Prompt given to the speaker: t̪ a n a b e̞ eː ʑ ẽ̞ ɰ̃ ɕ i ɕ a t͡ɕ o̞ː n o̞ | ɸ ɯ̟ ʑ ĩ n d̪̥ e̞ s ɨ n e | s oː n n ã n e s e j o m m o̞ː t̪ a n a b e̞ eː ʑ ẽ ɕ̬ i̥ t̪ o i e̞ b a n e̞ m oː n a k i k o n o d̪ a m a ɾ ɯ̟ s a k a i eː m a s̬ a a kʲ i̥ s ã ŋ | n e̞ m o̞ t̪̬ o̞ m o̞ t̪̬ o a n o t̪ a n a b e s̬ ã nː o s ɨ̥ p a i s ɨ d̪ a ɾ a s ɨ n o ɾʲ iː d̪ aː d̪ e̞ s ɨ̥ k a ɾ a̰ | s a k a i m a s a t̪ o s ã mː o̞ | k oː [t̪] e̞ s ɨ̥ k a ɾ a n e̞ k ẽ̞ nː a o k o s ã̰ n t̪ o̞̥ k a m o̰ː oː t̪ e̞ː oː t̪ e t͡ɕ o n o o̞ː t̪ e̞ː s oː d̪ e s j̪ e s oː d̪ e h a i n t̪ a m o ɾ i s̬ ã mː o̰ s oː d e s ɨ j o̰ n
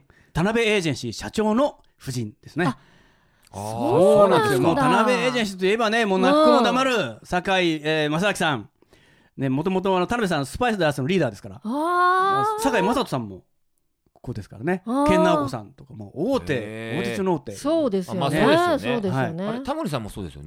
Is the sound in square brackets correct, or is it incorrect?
incorrect